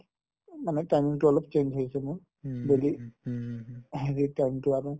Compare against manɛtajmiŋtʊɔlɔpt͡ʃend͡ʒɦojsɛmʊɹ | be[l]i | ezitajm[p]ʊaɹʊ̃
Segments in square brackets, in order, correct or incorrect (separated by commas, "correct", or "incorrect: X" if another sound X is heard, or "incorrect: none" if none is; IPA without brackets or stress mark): correct, incorrect: t